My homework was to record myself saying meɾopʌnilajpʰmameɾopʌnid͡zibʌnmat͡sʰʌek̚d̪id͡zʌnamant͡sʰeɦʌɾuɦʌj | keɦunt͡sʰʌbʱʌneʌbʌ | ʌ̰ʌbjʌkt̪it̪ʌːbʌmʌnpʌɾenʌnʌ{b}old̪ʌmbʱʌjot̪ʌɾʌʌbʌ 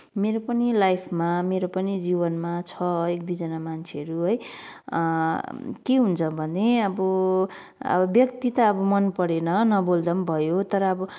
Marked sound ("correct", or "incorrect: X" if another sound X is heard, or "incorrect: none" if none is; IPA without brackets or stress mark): correct